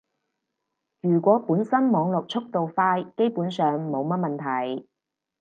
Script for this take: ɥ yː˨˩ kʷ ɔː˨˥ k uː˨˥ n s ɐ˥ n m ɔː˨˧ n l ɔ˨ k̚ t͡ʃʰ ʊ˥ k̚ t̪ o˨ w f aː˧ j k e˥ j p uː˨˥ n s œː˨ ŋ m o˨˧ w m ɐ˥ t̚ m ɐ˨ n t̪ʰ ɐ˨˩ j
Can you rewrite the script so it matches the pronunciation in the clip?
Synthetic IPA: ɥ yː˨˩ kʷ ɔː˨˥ p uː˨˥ n s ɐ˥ n m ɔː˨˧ ŋ l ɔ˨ k̚ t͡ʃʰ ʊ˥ k̚ t̪ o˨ w f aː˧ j k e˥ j p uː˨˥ n s œː˨ ŋ m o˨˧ w m ɐ˥ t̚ m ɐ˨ n t̪ʰ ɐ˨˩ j

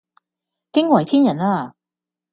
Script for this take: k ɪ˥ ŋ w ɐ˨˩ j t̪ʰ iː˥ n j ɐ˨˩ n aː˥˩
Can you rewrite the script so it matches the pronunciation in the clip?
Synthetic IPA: k ɪ˥ ŋ w ɐ˨˩ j t̪ʰ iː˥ n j ɐ˨˩ n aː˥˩

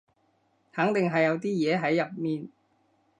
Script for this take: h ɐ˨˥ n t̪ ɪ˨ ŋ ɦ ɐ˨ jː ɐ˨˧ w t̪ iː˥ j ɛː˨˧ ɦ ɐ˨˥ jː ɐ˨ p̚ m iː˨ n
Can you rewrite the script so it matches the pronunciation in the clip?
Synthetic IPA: h ɐ˨˥ ŋ t̪ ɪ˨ ŋ ɦ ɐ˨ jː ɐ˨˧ w t̪ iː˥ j ɛː˨˧ ɦ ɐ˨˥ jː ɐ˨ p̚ m iː˨ n

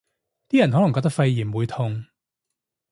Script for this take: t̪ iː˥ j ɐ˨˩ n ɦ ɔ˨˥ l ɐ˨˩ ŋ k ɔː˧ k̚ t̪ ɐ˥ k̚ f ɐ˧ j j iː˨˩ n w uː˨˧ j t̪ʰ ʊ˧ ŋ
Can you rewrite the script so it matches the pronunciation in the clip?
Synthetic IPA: t̪ iː˥ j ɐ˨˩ n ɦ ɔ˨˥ l ɐ˨˩ ŋ k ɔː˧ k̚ t̪ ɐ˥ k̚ f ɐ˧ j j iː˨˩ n w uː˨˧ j t̪ʰ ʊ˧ ŋ

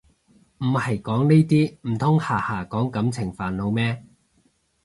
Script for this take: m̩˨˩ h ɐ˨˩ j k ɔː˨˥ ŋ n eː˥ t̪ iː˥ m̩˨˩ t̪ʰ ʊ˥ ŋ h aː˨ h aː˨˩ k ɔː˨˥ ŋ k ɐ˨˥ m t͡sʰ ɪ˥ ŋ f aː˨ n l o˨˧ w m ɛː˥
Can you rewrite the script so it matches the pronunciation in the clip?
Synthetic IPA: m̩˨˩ h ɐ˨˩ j k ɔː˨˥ ŋ n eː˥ t̪ iː˥ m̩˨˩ t̪ʰ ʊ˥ ŋ h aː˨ h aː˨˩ k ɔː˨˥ ŋ k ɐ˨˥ m t͡sʰ ɪ˨˩ ŋ f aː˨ n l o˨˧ w m ɛː˥

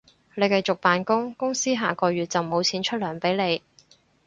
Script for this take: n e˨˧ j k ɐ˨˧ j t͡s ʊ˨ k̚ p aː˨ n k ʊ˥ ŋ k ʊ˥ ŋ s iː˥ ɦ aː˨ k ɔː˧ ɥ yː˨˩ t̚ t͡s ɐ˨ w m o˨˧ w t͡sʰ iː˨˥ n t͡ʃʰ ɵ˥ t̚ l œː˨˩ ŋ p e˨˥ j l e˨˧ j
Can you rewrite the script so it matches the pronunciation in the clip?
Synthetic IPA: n e˨˧ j k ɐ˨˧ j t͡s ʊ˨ k̚ p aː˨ n k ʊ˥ ŋ k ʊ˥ ŋ s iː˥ ɦ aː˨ k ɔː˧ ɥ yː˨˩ t̚ t͡s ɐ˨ w m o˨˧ w t͡sʰ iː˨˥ n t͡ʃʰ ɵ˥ t̚ l œː˨˩ ŋ p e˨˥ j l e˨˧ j

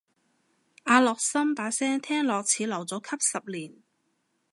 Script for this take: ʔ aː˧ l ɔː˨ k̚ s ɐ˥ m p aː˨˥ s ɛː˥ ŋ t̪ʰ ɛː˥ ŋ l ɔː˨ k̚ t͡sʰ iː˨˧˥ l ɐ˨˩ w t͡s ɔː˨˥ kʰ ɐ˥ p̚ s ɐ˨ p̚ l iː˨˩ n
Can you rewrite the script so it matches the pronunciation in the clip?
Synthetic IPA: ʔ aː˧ l ɔː˨ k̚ s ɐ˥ m p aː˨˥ s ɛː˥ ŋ t̪ʰ ɛː˥ ŋ l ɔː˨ k̚ t͡sʰ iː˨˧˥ l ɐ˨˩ w t͡s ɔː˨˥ kʰ ɐ˥ p̚ s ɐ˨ p̚ l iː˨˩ n

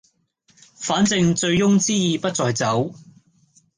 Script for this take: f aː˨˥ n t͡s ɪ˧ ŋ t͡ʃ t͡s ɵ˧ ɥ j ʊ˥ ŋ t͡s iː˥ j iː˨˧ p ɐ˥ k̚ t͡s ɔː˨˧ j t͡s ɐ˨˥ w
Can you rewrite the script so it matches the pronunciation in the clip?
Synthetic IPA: f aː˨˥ n t͡s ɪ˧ ŋ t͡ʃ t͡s ɵ˧ ɥ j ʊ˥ ŋ t͡s iː˥ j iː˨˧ p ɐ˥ t̚ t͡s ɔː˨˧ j t͡s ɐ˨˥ w

